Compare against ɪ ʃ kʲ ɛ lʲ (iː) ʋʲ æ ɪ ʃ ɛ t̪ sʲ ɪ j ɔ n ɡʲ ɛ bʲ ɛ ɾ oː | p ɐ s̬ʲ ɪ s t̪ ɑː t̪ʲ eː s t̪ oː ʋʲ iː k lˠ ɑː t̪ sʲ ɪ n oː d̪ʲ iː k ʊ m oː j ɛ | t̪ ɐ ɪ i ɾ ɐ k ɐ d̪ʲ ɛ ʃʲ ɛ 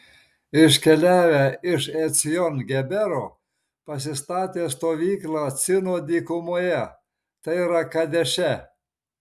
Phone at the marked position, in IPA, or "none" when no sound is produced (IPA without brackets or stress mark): æː